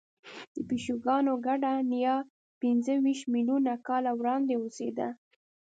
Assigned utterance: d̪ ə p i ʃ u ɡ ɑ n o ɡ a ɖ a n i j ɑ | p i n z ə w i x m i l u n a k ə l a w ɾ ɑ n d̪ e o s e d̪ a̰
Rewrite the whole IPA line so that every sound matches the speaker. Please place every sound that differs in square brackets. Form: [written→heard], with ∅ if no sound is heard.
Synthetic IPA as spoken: d̪ ə p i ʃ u ɡ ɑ n o ɡ a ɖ a n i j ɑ | p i n z ə w i [x→ʃ] m i l u n a k [ə→ɑ] l a w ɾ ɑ n d̪ e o s e d̪ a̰